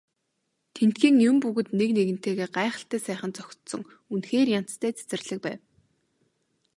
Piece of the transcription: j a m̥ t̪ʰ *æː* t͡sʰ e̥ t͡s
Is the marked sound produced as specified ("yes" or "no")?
yes